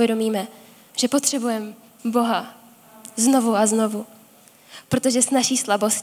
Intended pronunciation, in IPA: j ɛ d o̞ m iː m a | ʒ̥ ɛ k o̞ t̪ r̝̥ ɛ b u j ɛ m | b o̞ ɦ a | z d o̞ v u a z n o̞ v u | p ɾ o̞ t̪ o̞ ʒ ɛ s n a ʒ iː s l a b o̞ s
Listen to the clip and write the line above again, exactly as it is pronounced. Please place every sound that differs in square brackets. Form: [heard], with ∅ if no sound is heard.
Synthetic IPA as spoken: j ɛ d o̞ m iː m [ɛ] | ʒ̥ ɛ [p] o̞ t̪ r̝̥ ɛ b u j ɛ m | b o̞ ɦ a | z [n] o̞ v u a z n o̞ v u | p ɾ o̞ t̪ o̞ ʒ ɛ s n a [ʃ] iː s l a b o̞ s